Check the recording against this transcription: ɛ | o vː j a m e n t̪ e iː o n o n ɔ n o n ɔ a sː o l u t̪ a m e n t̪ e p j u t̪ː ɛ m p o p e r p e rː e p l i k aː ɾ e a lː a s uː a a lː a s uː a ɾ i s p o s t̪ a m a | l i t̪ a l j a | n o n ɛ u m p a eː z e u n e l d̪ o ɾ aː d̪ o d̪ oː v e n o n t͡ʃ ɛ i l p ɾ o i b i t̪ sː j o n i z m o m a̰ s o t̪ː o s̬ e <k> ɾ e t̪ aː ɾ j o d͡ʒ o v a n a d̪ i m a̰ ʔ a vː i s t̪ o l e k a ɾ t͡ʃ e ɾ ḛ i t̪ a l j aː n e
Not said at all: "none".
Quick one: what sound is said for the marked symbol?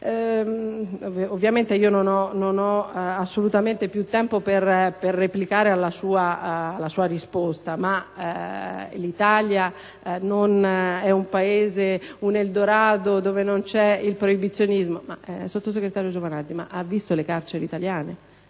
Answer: ɡ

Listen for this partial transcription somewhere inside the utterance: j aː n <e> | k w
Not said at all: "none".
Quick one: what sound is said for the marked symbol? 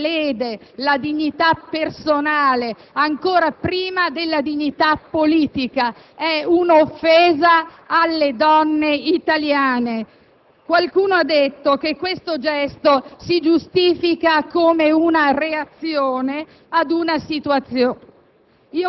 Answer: e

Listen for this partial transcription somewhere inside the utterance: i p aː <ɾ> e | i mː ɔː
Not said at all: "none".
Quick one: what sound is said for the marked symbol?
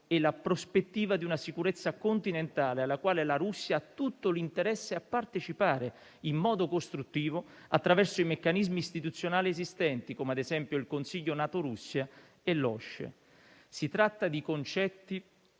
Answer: ɾ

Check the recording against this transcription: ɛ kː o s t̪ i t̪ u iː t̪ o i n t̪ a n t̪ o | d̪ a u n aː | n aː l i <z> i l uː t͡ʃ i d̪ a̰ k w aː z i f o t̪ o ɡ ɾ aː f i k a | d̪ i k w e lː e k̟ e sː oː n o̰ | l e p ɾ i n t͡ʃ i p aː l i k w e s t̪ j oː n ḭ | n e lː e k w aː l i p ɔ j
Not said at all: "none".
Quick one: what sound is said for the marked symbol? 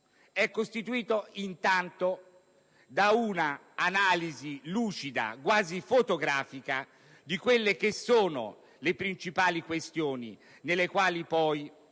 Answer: z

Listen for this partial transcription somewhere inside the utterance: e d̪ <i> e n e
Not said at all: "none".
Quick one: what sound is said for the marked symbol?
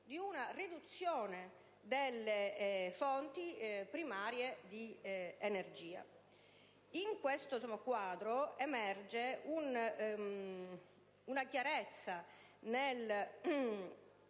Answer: i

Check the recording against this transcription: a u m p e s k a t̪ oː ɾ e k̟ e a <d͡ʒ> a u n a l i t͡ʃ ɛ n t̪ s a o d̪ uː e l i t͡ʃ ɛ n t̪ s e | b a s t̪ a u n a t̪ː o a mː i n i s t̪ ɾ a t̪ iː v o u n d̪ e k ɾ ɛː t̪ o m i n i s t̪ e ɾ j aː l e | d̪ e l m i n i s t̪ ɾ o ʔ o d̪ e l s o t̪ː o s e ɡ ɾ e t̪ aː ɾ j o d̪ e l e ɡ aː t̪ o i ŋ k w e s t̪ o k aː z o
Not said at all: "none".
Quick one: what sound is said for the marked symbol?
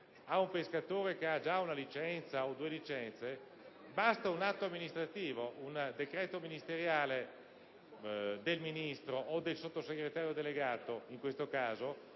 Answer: d͡ʒ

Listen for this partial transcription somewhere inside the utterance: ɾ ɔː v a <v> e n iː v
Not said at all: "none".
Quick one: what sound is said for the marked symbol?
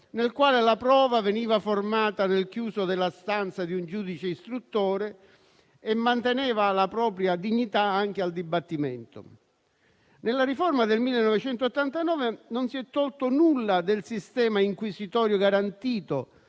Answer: v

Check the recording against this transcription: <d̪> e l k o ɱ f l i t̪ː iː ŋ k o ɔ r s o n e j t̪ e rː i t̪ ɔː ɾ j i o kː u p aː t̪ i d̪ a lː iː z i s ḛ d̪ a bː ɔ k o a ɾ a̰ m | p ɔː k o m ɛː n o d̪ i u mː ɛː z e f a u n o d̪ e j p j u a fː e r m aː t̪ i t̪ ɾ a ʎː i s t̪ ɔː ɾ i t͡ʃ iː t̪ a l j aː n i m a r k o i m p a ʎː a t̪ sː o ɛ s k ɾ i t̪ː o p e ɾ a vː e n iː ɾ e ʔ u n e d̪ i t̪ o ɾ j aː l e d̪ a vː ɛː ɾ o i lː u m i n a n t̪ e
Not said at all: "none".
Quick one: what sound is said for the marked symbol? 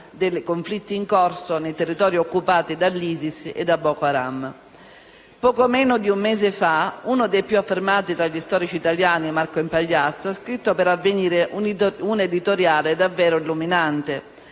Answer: d̪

